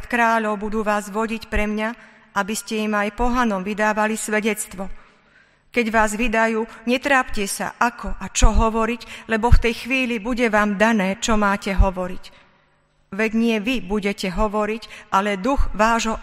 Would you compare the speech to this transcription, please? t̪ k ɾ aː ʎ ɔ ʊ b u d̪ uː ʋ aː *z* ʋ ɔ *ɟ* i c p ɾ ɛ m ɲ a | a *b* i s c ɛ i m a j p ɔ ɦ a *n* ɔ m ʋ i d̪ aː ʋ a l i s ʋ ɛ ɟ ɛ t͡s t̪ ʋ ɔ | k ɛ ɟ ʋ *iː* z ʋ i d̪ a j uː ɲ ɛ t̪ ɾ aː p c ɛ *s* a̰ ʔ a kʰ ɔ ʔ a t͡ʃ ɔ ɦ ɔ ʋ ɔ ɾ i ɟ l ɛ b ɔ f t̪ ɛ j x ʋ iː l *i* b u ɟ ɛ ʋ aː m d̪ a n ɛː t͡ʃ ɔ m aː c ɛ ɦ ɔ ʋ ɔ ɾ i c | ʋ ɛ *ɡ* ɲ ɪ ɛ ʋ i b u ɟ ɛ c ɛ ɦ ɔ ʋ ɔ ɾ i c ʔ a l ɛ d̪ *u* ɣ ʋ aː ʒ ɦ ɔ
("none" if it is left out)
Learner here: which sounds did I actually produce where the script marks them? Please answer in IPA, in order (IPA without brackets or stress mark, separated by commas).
z, ɟ, b, n, aː, s, i, ɟ, u